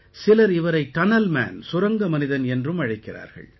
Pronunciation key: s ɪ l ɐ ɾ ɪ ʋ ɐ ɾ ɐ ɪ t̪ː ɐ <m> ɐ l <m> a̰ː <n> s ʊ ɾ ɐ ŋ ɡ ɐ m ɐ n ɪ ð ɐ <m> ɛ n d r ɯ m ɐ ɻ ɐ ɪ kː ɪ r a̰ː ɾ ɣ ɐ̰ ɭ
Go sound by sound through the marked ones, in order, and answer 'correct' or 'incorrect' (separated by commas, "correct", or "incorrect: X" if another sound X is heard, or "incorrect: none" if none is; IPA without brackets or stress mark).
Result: incorrect: n, correct, correct, incorrect: n